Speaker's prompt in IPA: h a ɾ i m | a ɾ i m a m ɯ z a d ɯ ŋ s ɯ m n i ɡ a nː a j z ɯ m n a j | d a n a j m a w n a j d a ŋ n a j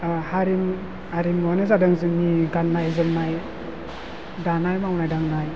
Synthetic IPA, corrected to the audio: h a ɾ i m | a ɾ i m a n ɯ z a d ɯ ŋ z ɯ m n i ɡ a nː a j z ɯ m n a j | d a n a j m a w n a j d a ŋ n a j